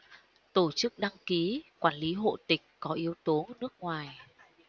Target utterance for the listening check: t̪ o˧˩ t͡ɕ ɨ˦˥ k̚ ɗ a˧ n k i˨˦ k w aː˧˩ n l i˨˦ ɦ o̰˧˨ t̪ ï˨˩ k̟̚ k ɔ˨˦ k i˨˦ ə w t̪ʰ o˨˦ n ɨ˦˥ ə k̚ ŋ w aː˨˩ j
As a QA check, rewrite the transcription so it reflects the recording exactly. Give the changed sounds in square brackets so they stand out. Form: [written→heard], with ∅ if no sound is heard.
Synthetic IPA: t̪ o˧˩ t͡ɕ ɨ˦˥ k̚ ɗ a˧ [n→ŋ] k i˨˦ k w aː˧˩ n l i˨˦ ɦ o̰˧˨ t̪ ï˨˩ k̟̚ k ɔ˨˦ [k→ʔ] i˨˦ ə w [t̪ʰ→t̪] o˨˦ n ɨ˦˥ ə k̚ ŋ w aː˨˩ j